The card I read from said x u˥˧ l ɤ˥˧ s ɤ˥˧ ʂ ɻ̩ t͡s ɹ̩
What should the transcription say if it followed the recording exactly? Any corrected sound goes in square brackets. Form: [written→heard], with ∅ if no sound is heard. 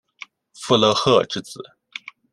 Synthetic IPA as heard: [x→f] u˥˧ l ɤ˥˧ [s→x] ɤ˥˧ [ʂ→ʈ͡ʂ] ɻ̩ t͡s ɹ̩